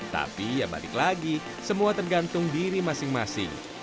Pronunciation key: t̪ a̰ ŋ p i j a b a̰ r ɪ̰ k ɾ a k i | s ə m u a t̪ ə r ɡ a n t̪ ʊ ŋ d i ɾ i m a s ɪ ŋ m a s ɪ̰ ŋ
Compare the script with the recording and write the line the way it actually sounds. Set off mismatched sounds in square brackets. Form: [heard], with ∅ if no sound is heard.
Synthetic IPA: t̪ a̰ [∅] p i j a b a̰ [l] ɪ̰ k [l] a [ɡ] i | s ə m u a t̪ ə r ɡ a n t̪ ʊ ŋ d i ɾ i m a s ɪ ŋ m a s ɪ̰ ŋ